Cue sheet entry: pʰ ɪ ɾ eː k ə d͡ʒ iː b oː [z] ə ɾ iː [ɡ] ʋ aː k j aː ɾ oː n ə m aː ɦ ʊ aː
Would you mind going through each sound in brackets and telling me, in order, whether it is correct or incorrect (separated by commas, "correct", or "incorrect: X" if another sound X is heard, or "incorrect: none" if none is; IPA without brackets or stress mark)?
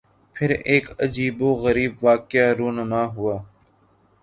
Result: incorrect: ɣ, incorrect: b